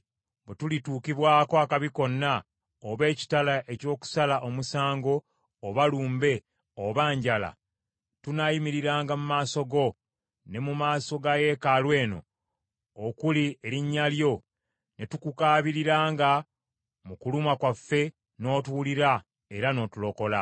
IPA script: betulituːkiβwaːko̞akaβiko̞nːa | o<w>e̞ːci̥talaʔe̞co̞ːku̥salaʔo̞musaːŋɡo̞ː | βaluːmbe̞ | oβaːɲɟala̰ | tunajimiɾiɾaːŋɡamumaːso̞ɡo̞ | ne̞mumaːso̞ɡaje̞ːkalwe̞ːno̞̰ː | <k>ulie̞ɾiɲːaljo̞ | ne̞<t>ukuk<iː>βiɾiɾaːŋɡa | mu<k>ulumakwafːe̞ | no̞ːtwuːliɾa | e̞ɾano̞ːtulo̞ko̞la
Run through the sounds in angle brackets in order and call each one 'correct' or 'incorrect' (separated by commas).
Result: incorrect, correct, correct, incorrect, correct